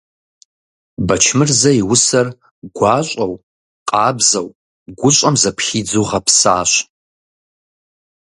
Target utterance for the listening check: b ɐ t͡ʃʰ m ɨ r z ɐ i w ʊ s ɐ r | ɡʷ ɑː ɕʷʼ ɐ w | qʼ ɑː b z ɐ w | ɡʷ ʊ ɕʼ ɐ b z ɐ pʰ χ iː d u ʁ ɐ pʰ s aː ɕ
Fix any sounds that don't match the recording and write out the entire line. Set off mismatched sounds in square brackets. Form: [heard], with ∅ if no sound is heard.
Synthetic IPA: b ɐ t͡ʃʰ m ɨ r z ɐ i w ʊ s ɐ r | ɡʷ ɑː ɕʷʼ ɐ w | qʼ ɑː b z ɐ w | ɡʷ ʊ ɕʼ ɐ [m] z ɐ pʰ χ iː [d͡z] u ʁ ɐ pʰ s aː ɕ